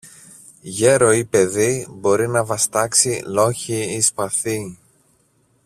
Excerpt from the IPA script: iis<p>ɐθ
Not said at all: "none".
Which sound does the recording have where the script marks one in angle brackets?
p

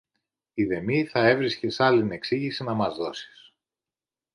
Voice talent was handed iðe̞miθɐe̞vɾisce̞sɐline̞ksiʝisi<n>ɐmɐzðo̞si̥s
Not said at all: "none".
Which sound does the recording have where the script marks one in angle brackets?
n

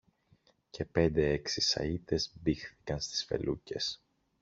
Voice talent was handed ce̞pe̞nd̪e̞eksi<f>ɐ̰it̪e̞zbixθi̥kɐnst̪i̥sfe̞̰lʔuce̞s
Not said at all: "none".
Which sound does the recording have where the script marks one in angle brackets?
s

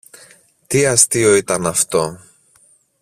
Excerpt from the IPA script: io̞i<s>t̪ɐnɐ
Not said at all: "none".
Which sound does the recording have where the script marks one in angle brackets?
none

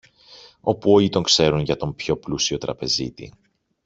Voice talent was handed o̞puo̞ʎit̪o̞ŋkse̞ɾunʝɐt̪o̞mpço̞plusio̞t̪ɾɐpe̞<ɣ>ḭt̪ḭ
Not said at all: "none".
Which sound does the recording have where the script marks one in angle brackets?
z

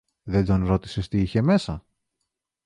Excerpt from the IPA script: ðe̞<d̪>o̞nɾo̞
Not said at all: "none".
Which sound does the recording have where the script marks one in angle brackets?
d̪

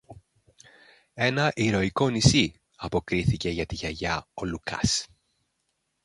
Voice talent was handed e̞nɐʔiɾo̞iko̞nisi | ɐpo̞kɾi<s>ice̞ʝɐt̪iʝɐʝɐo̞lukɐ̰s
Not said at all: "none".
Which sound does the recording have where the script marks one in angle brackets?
θ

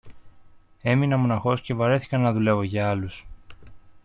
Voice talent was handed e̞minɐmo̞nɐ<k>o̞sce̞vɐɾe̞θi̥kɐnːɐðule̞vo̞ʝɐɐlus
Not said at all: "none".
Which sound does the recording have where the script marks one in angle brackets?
x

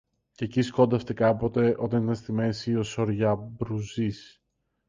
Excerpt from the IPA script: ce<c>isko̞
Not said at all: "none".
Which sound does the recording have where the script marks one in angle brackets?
c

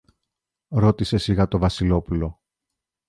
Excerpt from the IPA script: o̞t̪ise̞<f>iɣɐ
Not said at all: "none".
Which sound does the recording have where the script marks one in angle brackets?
s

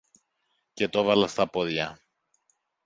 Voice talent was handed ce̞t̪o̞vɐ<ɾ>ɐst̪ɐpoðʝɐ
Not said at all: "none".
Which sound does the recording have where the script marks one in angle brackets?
l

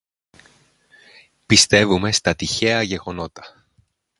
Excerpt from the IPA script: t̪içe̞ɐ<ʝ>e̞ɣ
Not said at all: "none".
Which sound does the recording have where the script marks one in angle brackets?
ʝ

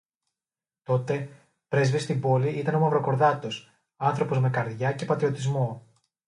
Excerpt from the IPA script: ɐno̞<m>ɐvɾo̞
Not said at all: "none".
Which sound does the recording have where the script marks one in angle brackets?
m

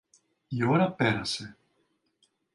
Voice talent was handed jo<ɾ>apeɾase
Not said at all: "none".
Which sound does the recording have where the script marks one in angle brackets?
ɾ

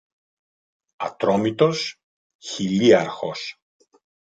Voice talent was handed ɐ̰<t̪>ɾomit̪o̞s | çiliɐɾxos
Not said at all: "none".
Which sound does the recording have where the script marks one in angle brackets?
t̪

